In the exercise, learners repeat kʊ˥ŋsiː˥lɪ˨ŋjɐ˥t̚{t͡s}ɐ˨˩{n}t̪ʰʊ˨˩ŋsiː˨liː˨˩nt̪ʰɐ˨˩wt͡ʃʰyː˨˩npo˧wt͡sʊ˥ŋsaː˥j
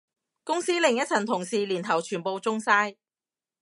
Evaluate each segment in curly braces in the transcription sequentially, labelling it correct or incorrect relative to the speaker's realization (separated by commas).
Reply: incorrect, correct